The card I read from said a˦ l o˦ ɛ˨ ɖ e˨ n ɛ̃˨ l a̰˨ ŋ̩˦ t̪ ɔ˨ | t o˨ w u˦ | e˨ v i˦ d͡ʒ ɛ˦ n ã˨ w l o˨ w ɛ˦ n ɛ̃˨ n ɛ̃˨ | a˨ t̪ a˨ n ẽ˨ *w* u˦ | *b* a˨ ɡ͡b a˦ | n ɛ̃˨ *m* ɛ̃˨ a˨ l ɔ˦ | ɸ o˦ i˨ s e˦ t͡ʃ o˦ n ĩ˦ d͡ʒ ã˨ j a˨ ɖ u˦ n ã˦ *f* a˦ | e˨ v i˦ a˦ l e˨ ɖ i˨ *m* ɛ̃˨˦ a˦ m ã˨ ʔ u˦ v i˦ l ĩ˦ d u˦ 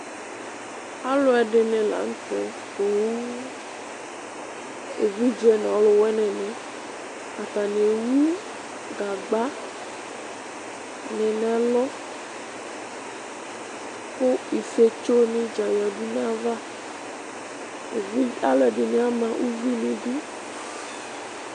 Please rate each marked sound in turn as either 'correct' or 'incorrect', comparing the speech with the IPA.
correct, incorrect: ɡ, incorrect: n, incorrect: v, incorrect: n

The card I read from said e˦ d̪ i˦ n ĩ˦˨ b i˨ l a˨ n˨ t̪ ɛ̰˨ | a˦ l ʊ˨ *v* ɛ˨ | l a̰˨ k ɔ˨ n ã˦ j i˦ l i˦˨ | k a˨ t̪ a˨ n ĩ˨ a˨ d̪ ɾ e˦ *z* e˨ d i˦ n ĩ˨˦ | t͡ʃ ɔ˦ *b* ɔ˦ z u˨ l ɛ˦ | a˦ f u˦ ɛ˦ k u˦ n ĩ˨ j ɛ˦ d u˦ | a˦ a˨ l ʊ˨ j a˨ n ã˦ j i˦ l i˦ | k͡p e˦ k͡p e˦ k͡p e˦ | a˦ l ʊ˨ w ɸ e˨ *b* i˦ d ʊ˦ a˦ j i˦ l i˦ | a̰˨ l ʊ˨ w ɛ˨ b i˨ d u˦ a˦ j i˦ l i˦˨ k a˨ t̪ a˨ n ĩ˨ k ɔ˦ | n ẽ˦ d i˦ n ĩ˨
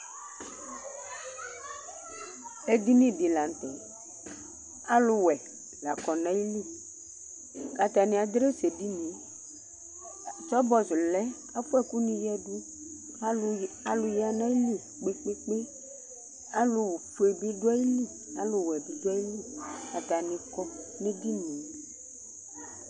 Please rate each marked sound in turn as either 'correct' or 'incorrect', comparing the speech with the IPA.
incorrect: w, incorrect: s, correct, correct

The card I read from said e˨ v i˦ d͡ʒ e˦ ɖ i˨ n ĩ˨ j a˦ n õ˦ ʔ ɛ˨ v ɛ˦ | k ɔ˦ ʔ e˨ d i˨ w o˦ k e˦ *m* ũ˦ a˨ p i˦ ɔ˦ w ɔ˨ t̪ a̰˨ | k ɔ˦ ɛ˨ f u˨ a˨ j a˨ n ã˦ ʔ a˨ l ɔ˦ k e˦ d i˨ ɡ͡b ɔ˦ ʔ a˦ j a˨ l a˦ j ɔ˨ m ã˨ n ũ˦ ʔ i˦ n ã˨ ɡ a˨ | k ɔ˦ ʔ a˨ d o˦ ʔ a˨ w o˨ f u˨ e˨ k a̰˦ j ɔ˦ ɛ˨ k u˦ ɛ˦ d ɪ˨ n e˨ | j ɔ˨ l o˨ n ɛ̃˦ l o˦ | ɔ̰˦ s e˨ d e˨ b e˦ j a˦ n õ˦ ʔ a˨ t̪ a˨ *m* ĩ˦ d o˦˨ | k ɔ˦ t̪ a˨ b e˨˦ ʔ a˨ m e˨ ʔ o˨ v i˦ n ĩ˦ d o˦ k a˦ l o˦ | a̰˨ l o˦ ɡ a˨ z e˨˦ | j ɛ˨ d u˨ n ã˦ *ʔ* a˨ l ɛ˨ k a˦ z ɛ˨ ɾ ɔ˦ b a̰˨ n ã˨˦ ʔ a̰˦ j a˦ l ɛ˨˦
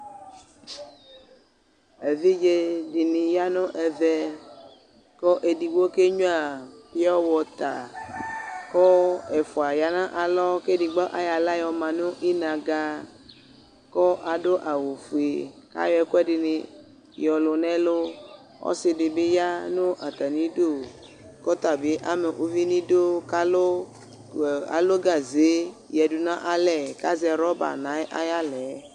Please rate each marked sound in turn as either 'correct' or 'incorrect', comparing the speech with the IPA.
incorrect: ɲ, incorrect: n, correct

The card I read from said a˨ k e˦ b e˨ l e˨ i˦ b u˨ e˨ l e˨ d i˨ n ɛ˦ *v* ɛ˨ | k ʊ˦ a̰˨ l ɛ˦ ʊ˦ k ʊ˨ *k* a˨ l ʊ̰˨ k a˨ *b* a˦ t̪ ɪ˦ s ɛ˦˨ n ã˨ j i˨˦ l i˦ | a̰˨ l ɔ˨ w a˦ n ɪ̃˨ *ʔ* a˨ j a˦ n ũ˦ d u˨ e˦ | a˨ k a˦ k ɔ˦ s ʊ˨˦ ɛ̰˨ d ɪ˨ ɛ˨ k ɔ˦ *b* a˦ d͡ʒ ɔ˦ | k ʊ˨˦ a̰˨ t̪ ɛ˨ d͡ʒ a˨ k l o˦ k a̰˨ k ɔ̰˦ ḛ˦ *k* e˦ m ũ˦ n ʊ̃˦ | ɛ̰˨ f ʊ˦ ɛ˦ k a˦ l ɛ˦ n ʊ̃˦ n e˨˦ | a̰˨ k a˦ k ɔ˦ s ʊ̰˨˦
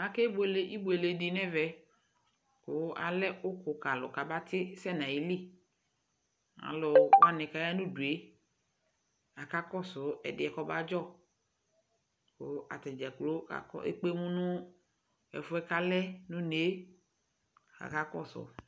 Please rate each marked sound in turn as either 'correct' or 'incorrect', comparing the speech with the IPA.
correct, correct, correct, incorrect: k, correct, incorrect: k͡p

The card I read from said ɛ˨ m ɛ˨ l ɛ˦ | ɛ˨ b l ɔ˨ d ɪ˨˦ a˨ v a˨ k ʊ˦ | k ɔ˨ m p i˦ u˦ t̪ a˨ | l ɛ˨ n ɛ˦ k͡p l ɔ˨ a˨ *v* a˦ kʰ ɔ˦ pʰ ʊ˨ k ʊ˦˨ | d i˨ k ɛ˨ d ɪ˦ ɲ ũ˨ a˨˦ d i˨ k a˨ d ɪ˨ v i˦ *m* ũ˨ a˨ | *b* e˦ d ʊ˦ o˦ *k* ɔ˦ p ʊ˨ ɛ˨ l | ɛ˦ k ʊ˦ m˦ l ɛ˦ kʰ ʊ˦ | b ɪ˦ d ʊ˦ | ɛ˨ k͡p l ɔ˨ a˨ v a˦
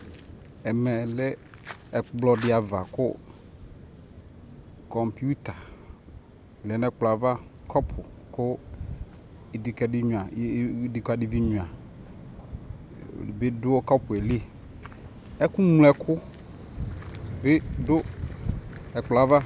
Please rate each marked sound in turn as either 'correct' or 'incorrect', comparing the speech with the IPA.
correct, incorrect: ɲ, correct, correct

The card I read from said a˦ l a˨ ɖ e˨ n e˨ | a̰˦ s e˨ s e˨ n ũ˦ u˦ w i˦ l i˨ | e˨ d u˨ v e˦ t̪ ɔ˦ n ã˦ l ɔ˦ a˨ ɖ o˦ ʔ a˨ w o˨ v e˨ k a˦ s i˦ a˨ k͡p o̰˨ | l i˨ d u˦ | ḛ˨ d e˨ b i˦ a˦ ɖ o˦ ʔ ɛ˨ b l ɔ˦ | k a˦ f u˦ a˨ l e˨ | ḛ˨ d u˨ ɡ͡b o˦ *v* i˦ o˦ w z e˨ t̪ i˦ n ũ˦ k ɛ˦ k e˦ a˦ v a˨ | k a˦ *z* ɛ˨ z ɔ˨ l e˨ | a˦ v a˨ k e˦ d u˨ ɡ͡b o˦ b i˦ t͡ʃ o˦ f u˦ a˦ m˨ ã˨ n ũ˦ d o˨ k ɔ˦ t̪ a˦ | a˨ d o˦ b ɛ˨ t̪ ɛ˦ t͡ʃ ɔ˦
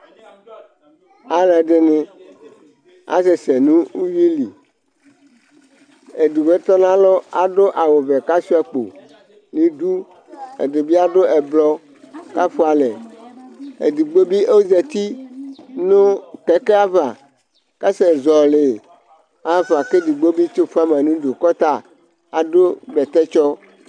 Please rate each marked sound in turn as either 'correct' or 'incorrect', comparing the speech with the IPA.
incorrect: b, incorrect: s

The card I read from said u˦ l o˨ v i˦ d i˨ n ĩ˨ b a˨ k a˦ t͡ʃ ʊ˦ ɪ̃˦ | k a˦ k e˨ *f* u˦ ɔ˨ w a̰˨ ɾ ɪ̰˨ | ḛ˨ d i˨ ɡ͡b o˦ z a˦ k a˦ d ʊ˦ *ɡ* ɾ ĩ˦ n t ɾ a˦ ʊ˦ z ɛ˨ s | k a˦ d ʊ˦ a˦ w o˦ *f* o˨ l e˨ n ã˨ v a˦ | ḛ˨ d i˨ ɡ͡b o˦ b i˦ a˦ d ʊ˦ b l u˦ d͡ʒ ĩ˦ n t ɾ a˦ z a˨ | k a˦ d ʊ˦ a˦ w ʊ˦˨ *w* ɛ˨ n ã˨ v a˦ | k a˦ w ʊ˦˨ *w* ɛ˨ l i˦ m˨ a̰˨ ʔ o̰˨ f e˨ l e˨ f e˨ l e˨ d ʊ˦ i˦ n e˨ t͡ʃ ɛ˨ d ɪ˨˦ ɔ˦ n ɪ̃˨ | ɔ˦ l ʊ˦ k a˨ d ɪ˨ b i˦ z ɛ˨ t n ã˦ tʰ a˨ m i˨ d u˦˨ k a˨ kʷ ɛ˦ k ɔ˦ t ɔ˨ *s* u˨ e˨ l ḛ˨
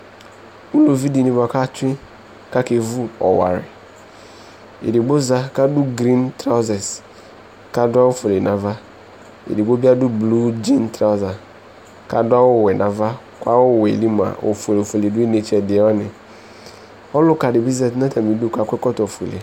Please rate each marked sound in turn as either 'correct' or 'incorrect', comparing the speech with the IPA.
incorrect: v, correct, correct, correct, correct, incorrect: f

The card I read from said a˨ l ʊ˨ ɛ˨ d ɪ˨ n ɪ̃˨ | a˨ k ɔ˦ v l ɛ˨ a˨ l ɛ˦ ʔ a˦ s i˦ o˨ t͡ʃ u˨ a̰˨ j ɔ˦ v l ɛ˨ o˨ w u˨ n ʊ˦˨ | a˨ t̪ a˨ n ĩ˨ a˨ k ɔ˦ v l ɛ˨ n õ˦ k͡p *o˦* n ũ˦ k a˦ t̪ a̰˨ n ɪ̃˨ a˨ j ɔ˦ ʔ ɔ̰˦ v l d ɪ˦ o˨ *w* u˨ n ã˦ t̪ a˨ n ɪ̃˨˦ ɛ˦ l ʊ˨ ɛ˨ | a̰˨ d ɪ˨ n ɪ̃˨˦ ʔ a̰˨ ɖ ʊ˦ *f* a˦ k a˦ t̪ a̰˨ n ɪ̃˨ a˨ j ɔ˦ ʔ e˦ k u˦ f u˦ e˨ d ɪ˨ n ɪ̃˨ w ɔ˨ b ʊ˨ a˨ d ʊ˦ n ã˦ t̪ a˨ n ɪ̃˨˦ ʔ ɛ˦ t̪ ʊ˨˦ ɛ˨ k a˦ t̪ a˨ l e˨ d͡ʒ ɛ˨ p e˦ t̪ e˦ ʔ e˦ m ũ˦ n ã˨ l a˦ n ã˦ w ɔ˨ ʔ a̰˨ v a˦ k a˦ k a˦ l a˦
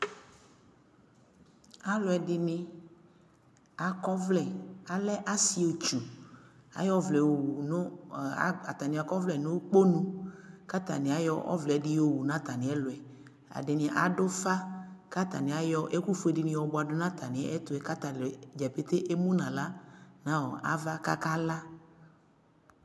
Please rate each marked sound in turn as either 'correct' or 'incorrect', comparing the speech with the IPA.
correct, correct, correct

